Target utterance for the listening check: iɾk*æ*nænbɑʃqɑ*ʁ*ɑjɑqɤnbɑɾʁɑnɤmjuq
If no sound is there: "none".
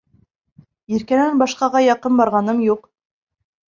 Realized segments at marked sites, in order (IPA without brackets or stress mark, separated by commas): æ, ʁ